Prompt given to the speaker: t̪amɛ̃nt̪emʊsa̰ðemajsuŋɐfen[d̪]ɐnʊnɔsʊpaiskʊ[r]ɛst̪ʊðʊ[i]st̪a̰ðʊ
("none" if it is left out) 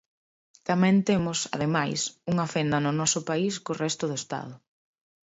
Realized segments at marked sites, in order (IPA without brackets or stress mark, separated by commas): d̪, r, e